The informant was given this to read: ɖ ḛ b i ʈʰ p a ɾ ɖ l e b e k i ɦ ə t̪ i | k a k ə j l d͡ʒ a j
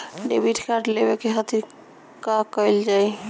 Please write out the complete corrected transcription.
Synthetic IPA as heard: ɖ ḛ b i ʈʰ k a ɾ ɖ l e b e k e ɦ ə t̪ i | k a k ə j l d͡ʒ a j

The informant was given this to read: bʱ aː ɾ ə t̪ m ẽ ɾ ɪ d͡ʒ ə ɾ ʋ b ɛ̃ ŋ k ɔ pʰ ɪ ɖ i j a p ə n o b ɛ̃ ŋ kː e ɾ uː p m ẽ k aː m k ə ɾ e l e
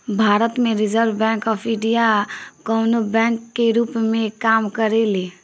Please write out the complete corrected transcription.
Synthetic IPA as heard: bʱ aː ɾ ə t̪ m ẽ ɾ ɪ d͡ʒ ə ɾ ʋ b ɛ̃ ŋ k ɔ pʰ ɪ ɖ i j a k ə n o b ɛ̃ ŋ kː e ɾ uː p m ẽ k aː m k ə ɾ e l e

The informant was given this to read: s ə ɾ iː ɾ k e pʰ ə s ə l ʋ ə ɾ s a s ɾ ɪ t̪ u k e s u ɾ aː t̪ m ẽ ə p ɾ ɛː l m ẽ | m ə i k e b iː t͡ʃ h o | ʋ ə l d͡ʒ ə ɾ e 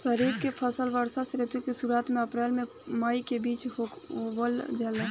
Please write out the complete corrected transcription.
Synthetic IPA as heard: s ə ɾ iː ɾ k e pʰ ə s ə l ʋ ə ɾ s a s ɾ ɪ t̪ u k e s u ɾ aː t̪ m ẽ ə p ɾ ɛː l m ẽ | m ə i k e b iː t͡ʃ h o | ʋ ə l d͡ʒ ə l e

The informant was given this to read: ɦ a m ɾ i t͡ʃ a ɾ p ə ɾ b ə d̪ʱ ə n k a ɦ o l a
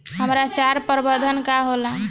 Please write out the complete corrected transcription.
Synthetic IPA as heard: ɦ ə m ɾ a t͡ʃ a ɾ p ə ɾ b ə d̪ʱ ə n k a ɦ o l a

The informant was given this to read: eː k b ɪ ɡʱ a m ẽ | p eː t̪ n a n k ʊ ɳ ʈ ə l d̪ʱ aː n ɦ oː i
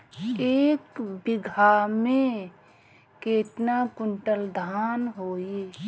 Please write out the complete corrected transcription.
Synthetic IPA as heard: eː k b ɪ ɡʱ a m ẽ | k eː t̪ n a k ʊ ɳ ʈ ə l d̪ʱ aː n ɦ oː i

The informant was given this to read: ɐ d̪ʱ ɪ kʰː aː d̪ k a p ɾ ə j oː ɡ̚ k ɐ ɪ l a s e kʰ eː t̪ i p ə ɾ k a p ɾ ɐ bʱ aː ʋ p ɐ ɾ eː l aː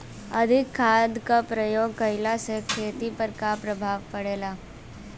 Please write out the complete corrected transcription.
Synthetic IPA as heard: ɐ d̪ʱ ɪ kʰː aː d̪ k a p ɾ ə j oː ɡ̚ k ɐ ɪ l a s e kʰ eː t̪ i p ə ɾ k a p ɾ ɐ bʱ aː ʋ p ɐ ɽ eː l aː

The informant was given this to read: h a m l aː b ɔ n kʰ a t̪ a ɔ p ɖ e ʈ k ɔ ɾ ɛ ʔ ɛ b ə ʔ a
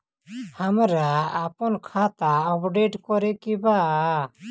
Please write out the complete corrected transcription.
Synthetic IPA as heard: h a m ɾ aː p ɔ n kʰ a t̪ a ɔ p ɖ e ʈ k ɔ ɾ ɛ k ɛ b a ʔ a

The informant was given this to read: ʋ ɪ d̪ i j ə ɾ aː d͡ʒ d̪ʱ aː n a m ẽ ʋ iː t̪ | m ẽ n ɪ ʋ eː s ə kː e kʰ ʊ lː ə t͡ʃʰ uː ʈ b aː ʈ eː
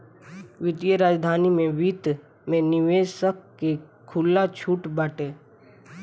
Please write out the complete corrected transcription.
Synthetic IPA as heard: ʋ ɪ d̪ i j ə ɾ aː d͡ʒ d̪ʱ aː n i m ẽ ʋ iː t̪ | m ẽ n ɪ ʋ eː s ə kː e kʰ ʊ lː a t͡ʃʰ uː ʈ b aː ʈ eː

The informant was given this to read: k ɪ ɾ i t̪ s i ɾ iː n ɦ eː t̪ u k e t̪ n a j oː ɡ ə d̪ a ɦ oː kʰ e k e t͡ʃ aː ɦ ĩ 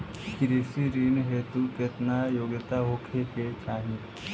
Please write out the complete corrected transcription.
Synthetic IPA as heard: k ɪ ɾ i s i ɾ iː n ɦ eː t̪ u k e t̪ n a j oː ɡ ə t̪ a ɦ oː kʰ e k e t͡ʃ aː ɦ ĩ

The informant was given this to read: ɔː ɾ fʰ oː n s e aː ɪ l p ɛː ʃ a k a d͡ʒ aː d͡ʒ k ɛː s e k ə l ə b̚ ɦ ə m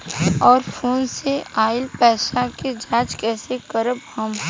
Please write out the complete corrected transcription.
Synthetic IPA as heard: ɔː ɾ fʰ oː n s e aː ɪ l p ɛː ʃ a k e d͡ʒ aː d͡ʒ k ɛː s e k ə ɾ ə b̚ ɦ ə m

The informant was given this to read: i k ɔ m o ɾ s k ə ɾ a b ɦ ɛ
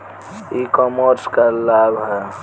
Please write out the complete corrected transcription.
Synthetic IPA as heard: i k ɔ m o ɾ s k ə l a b ɦ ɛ

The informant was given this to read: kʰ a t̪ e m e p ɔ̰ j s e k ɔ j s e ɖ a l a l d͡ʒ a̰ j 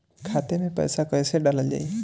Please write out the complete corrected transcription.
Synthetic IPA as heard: kʰ a t̪ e m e p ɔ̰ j s a k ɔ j s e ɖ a l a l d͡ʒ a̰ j

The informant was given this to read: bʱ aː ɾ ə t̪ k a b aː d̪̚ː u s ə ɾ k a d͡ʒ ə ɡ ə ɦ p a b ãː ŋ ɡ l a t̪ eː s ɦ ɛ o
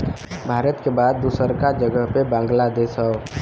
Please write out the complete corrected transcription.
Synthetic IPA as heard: bʱ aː ɾ ə t̪ k e b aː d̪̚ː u s ə ɾ k a d͡ʒ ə ɡ ə ɦ p e b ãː ŋ ɡ l a d̪ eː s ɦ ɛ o

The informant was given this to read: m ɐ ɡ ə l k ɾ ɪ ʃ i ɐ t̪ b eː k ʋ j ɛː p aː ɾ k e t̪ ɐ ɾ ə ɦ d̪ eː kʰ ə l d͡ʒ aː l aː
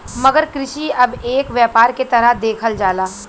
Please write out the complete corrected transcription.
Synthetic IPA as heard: m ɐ ɡ ə ɾ k ɾ ɪ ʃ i ɐ b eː k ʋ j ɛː p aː ɾ k e t̪ ɐ ɾ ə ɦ d̪ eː kʰ ə l d͡ʒ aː l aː

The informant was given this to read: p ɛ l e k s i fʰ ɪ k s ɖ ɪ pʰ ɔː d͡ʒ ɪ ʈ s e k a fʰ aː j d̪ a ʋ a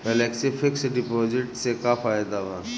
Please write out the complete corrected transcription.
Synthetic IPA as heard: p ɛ l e k s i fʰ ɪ k s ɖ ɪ p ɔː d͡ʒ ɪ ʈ s e k a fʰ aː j d̪ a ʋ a

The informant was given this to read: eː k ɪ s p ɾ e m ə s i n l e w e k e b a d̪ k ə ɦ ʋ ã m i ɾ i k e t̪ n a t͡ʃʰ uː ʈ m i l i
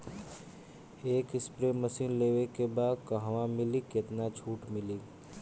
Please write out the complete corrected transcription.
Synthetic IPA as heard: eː k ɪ s p ɾ e m ə s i n l e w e k e b a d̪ k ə ɦ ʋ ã m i l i k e t̪ n a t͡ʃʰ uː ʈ m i l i

